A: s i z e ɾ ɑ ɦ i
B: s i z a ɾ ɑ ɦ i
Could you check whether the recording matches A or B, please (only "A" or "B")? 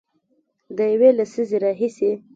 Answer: A